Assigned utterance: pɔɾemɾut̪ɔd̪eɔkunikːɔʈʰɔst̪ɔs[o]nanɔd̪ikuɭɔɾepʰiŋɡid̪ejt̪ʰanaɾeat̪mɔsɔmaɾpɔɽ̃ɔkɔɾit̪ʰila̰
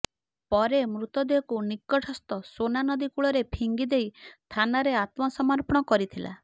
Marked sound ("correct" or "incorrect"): correct